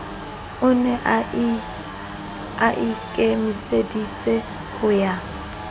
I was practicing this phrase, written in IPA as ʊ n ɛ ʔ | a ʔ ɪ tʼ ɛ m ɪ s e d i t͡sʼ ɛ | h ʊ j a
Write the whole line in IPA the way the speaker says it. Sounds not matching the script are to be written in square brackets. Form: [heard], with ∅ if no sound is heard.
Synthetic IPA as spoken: ʊ n ɛ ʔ | a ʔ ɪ [kʼ] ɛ m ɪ s e d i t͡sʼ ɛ | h ʊ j a